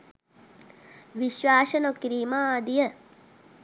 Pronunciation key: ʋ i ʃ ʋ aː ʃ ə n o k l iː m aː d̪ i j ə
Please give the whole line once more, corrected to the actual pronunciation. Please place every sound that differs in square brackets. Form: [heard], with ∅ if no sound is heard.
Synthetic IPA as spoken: ʋ i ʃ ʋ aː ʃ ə n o k [ɾ] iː m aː d̪ i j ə